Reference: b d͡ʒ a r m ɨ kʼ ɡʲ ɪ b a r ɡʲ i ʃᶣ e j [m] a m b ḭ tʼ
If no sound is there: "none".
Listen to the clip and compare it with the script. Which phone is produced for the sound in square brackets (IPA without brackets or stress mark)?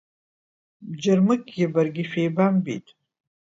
b